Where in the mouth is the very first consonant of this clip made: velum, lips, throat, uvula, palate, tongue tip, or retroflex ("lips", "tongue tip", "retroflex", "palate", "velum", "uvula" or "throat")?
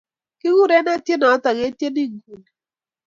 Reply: velum